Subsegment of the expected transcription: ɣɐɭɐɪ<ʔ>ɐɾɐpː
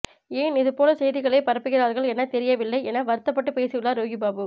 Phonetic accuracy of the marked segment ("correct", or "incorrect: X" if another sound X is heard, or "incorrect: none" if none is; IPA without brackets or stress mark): incorrect: p